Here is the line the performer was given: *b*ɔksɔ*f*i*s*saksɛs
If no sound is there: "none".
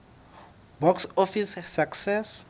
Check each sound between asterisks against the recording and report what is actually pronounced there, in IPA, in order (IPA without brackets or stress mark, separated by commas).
b, f, s